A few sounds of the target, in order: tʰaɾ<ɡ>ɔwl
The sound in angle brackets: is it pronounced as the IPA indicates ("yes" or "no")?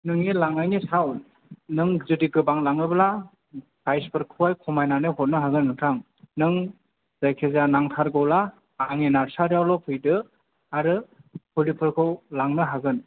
yes